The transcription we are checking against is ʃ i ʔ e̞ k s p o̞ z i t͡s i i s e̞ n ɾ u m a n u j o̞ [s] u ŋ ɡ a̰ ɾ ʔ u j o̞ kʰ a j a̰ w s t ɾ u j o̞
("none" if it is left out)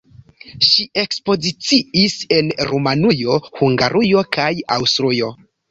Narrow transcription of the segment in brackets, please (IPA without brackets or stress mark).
h